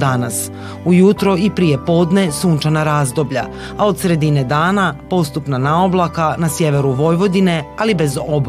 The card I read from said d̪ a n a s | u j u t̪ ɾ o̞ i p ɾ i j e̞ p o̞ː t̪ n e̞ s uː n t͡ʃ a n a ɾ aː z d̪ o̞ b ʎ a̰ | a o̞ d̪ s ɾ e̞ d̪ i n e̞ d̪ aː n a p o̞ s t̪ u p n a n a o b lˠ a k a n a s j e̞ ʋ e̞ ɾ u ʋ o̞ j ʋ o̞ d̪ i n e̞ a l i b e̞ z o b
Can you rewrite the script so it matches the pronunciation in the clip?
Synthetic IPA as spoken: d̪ a n a s | u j u t̪ ɾ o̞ i p ɾ i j e̞ p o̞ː d̪ n e̞ s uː n t͡ʃ a n a ɾ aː z d̪ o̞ b ʎ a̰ | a o̞ d̪ s ɾ e̞ d̪ i n e̞ d̪ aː n a p o̞ s t̪ u p n a n a o b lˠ a k a n a s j e̞ ʋ e̞ ɾ u ʋ o̞ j ʋ o̞ d̪ i n e̞ a l i b e̞ z o b